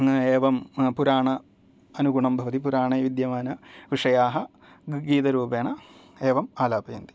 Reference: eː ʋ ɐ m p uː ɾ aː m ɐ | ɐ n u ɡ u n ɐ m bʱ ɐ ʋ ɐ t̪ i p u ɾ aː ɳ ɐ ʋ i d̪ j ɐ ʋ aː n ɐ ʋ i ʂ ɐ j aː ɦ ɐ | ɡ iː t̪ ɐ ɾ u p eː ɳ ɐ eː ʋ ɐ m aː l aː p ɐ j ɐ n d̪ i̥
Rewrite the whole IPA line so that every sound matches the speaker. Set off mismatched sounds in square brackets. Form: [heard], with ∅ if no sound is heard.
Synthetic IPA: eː ʋ ɐ m p [u] ɾ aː [ɳ] ɐ | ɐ n u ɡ u [ɳ] ɐ m bʱ ɐ ʋ ɐ t̪ i p u ɾ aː ɳ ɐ ʋ i d̪ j ɐ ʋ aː n ɐ ʋ i ʂ ɐ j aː ɦ ɐ | ɡ iː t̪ ɐ ɾ [uː] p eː ɳ ɐ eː ʋ ɐ m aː l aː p ɐ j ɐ n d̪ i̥